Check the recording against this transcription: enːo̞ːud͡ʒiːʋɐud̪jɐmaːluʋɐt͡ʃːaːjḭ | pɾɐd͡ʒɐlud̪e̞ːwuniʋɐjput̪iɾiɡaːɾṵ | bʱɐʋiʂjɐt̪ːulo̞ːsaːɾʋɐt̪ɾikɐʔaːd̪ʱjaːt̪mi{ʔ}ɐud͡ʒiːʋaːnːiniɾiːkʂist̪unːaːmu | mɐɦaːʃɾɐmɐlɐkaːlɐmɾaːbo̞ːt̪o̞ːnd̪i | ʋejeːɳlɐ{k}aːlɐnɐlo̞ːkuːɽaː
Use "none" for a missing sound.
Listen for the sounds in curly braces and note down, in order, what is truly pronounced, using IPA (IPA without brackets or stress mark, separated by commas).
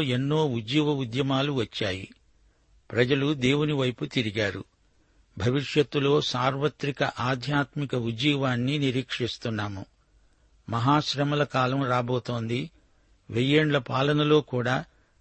k, p